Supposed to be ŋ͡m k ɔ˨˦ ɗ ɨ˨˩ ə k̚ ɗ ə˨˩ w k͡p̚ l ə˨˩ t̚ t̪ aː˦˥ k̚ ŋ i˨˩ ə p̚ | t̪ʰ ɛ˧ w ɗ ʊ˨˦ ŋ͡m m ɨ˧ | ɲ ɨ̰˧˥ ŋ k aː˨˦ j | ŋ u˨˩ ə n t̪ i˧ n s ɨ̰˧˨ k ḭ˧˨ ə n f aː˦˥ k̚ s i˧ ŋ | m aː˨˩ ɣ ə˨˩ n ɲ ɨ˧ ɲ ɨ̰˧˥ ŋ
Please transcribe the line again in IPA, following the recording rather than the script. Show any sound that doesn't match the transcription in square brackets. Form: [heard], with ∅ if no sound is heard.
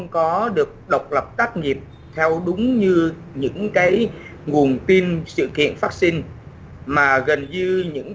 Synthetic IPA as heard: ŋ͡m k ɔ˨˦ ɗ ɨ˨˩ ə k̚ ɗ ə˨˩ w k͡p̚ l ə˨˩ [p̚] t̪ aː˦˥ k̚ ŋ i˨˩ ə p̚ | t̪ʰ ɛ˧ w ɗ ʊ˨˦ ŋ͡m [ɲ] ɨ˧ | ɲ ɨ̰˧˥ ŋ k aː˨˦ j | ŋ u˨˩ ə n t̪ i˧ n s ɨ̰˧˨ k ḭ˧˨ ə n f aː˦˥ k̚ s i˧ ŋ | m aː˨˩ ɣ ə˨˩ n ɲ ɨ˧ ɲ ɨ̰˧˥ ŋ